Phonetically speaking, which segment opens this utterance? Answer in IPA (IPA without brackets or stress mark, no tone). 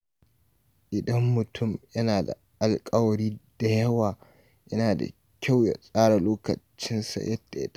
ʔ